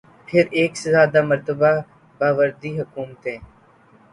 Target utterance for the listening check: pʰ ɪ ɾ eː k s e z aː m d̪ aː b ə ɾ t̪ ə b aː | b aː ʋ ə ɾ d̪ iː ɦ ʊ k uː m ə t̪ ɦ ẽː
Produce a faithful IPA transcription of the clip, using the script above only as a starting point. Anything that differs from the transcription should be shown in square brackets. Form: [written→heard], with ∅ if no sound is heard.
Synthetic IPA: pʰ ɪ ɾ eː k s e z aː [m→∅] d̪ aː [b→m] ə ɾ t̪ ə b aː | b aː ʋ ə ɾ d̪ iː ɦ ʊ k uː m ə t̪ ɦ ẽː